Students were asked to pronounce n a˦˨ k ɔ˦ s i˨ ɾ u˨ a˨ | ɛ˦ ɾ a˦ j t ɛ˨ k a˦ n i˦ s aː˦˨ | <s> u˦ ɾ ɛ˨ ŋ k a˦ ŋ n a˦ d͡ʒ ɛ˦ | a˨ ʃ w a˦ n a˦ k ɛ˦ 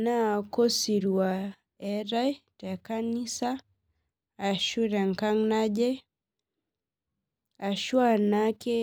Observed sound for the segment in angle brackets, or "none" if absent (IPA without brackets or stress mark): ʃ